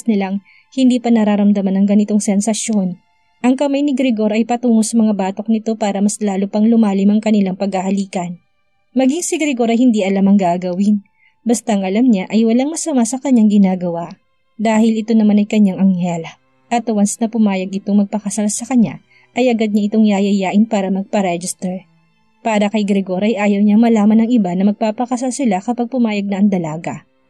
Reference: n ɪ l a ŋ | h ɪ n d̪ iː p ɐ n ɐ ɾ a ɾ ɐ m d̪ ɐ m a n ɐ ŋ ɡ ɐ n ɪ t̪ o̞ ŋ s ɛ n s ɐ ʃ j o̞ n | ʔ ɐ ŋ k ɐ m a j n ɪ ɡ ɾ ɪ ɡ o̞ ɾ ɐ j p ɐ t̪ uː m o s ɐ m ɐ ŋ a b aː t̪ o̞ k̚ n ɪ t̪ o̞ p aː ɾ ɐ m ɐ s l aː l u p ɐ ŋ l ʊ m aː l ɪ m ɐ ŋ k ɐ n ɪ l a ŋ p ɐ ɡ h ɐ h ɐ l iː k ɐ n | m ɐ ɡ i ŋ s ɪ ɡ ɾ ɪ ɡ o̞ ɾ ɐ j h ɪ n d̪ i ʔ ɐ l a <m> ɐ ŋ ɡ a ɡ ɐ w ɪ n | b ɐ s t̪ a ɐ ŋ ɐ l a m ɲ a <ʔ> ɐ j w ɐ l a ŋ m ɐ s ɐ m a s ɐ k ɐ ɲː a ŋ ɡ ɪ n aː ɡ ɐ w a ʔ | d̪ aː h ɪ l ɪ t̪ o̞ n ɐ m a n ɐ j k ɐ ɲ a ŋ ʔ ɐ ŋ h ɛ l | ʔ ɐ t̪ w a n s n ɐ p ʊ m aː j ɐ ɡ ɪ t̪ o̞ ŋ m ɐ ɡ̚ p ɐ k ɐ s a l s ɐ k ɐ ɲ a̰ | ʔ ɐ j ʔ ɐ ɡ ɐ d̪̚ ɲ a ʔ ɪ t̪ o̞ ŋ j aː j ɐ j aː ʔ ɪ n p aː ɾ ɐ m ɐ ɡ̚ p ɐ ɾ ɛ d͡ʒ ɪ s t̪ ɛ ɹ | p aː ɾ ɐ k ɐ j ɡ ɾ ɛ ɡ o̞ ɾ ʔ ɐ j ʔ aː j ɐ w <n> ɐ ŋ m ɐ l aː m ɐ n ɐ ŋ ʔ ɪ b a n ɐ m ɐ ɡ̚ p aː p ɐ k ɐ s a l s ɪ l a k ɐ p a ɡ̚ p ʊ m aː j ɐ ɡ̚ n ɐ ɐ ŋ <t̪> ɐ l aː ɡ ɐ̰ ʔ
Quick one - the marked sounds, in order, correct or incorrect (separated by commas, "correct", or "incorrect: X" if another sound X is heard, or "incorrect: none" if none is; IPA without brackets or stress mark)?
correct, correct, incorrect: ɲ, incorrect: d̪